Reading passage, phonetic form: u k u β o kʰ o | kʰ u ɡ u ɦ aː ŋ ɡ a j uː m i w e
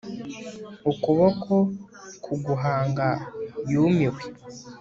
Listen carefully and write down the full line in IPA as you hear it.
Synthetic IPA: u k u β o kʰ o | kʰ u ɡ u ɦ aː ŋ ɡ a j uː m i w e